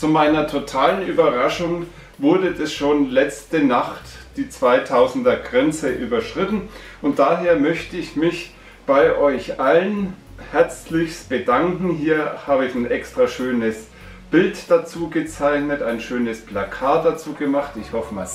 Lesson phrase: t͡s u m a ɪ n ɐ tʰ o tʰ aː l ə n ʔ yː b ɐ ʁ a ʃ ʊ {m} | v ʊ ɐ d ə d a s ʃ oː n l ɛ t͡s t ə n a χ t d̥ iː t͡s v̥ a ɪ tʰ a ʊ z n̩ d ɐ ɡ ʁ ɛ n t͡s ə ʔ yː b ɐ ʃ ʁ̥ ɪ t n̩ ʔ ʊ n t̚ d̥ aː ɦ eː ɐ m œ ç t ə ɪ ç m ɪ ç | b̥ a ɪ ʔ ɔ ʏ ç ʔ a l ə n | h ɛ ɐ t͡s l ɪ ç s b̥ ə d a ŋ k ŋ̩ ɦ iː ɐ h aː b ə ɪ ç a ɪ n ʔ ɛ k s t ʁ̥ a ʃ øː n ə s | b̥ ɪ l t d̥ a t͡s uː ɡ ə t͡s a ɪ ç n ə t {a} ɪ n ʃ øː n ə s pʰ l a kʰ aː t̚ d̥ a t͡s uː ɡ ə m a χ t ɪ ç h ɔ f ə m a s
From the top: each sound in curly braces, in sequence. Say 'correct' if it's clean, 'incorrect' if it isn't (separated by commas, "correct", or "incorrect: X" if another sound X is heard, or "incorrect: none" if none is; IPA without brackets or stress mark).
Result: incorrect: ŋ, correct